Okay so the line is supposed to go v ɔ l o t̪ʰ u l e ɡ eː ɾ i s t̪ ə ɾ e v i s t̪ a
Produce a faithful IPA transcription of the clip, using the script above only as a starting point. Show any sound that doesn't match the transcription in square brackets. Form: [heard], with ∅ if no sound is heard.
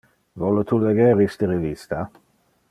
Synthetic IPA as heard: v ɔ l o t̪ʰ u l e ɡ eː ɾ i s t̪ ə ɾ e v i s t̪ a